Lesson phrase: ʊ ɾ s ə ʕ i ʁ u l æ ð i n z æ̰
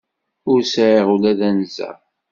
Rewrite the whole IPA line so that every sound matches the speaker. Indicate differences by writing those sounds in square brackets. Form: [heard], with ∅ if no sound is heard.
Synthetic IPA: ʊ ɾ s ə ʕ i ʁ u l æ ð [æ] n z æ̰